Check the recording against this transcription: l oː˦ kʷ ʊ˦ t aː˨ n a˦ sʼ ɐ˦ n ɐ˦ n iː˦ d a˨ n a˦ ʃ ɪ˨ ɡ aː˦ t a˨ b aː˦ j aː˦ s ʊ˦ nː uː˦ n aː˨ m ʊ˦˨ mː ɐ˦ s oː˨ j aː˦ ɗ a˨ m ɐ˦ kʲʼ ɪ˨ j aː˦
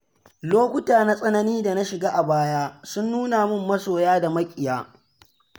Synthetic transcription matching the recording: l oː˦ kʷ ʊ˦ t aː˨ n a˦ sʼ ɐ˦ n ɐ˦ n iː˦ d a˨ n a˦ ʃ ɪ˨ ɡ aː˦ ʔ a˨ b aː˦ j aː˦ s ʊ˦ nː uː˦ n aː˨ m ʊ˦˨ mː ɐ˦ s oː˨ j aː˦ d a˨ m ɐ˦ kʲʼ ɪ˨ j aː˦